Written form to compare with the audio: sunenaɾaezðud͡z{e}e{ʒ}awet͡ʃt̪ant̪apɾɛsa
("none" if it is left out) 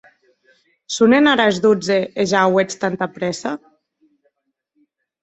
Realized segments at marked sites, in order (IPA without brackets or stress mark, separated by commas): e, ʒ